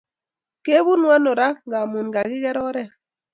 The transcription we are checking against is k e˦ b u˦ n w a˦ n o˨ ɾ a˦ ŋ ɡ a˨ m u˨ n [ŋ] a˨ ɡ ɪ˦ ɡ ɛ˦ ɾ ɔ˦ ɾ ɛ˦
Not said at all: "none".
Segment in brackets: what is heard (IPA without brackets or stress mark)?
ɡ